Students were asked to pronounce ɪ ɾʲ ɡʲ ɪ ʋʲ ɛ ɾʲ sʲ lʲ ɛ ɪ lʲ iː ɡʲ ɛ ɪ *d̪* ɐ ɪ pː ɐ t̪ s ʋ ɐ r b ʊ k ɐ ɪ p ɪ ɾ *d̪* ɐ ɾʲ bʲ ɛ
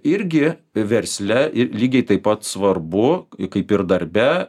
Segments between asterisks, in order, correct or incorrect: incorrect, correct

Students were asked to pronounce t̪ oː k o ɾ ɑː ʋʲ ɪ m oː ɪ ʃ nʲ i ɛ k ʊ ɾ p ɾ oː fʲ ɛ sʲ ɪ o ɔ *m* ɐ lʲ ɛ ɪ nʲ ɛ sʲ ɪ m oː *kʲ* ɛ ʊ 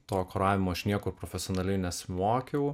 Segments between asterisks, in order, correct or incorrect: incorrect, correct

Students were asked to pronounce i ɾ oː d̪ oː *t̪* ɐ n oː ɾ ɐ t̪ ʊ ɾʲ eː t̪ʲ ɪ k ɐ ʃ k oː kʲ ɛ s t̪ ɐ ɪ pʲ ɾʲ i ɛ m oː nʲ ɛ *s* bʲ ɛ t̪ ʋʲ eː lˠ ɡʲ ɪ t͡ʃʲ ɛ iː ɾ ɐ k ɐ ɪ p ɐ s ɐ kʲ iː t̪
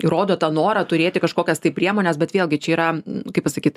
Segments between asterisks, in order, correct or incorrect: correct, correct

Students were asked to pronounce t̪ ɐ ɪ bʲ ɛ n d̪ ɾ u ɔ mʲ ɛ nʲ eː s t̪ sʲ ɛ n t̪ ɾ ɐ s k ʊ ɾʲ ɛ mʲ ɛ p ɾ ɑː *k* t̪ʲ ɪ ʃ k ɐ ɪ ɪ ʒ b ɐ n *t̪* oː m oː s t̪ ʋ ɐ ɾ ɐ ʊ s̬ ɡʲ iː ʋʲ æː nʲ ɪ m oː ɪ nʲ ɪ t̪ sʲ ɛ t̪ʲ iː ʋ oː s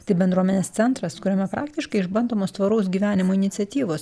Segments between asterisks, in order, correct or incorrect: correct, incorrect

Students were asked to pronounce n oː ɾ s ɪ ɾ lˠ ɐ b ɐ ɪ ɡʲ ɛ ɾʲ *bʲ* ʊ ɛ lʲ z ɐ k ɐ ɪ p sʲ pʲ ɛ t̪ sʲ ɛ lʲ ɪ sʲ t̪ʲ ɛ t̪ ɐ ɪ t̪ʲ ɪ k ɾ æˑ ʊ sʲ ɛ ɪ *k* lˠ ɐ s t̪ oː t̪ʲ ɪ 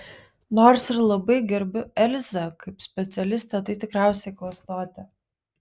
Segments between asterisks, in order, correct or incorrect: correct, correct

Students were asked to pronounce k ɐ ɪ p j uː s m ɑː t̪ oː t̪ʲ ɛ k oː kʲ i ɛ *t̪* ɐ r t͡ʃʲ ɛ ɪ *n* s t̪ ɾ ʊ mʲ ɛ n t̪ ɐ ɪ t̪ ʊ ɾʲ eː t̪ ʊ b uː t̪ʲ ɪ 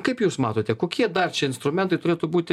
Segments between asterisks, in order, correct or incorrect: incorrect, correct

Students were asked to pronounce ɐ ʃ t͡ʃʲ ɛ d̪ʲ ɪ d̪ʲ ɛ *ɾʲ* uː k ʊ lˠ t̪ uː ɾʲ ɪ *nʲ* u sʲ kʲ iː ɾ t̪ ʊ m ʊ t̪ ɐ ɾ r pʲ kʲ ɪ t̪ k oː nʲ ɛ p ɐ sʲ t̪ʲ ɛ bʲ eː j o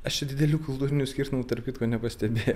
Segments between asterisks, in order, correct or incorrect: incorrect, correct

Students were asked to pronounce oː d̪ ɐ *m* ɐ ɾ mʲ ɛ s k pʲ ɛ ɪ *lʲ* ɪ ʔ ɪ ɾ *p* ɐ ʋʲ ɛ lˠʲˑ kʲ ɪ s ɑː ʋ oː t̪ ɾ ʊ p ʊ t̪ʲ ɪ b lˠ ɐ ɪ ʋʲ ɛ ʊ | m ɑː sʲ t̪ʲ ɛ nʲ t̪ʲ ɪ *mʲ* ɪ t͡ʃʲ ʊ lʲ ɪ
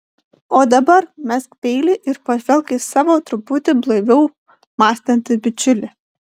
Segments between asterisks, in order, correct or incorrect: incorrect, correct, correct, incorrect

